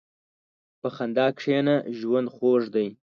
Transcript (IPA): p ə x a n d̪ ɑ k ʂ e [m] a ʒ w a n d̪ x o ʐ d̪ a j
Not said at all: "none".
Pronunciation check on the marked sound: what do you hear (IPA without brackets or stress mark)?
n